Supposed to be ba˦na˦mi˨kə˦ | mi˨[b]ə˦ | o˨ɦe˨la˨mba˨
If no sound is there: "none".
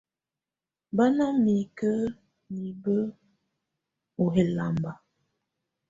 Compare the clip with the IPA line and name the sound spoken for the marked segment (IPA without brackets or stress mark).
b